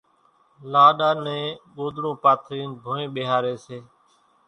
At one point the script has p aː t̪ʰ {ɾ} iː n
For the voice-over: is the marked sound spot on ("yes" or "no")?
yes